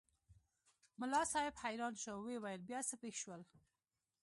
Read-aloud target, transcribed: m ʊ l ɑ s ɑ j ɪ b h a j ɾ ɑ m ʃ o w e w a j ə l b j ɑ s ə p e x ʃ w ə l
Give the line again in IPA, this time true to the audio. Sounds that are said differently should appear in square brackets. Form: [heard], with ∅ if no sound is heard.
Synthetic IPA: m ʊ l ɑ s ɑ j ɪ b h a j ɾ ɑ [n] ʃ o w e w a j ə l b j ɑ s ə p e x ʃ w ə l